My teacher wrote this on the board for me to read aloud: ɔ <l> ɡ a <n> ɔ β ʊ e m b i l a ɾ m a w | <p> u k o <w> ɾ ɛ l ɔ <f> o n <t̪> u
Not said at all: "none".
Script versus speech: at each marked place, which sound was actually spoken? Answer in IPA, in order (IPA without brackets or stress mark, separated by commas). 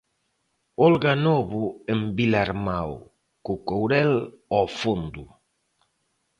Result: l, n, k, w, f, d̪